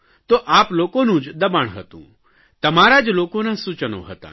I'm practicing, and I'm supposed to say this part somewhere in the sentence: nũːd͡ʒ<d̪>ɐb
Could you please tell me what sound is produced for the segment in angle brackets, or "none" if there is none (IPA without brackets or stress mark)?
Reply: d̪